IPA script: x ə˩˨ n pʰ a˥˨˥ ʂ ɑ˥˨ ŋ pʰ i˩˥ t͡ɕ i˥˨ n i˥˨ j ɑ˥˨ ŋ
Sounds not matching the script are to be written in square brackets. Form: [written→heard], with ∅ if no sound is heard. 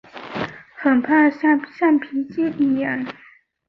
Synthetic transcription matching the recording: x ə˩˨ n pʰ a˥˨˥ [ʂ→ɕ] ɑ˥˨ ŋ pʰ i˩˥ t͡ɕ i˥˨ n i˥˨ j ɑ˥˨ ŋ